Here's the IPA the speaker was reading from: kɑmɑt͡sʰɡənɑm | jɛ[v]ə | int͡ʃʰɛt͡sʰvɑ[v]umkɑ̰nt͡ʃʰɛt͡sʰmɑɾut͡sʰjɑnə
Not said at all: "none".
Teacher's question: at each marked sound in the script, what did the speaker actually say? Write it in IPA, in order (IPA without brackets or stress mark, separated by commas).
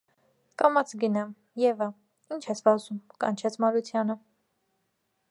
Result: v, z